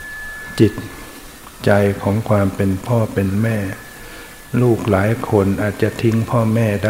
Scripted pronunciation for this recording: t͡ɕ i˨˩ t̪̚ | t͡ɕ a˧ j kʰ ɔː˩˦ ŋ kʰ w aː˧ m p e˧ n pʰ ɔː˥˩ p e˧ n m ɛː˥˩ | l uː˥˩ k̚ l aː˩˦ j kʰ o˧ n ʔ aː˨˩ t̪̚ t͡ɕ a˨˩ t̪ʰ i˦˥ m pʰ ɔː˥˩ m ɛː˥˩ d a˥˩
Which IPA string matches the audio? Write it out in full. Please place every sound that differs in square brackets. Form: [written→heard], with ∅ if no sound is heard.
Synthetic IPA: t͡ɕ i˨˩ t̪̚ | t͡ɕ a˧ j kʰ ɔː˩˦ ŋ kʰ w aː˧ m p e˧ n pʰ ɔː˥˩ p e˧ n m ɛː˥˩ | l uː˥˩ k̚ l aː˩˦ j kʰ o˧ n ʔ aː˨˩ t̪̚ t͡ɕ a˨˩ t̪ʰ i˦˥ [m→ŋ] pʰ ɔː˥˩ m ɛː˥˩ d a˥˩